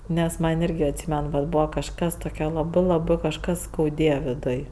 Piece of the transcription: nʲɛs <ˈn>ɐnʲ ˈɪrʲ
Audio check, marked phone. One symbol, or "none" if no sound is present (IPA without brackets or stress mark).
m